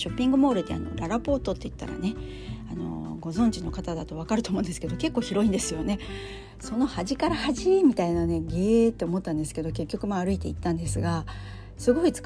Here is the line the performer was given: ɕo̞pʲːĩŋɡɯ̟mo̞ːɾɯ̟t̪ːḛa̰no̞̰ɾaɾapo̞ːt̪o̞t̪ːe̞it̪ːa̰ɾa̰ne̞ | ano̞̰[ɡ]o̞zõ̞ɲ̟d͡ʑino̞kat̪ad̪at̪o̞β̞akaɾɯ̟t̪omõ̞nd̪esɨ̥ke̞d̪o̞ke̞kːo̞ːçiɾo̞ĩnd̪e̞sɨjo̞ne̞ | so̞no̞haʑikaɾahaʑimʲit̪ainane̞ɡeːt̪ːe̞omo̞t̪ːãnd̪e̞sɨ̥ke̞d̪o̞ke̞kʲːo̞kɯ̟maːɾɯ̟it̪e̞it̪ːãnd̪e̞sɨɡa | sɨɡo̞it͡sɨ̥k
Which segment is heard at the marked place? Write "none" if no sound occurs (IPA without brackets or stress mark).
ɡ